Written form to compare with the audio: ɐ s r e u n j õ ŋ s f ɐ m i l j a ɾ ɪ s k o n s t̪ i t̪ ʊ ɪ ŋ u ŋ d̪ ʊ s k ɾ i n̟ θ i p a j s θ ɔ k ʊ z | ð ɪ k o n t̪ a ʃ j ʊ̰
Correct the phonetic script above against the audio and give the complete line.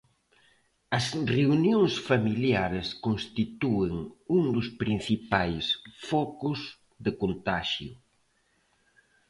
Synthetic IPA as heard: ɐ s r e u n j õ ŋ s f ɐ m i l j a ɾ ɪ s k o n s t̪ i t̪ u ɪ ŋ u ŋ d̪ ʊ s p ɾ i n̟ θ i p a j s f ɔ k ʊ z | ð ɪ k o n t̪ a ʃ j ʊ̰